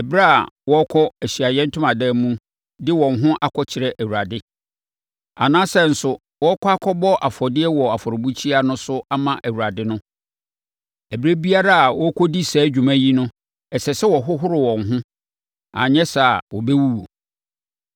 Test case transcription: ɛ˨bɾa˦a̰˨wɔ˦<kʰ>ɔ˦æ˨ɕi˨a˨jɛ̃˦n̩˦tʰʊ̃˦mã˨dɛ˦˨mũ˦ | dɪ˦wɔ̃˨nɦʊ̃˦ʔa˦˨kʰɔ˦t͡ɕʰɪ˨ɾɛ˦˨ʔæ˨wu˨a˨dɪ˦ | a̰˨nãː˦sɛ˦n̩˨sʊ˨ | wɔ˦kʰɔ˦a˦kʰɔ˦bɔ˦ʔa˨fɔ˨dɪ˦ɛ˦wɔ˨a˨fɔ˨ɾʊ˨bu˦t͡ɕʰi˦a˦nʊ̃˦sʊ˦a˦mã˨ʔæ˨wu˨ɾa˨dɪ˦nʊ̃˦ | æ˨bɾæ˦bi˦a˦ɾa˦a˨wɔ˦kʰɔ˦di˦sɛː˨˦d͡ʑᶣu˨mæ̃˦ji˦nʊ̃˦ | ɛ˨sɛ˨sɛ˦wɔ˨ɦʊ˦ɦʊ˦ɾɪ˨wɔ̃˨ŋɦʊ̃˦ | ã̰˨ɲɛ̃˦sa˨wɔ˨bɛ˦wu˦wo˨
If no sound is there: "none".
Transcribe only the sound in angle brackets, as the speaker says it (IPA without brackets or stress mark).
kʰ